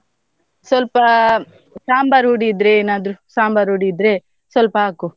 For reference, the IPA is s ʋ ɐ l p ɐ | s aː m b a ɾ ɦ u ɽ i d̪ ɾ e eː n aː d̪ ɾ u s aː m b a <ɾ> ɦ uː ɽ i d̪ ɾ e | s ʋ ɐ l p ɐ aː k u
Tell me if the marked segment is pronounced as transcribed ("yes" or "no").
yes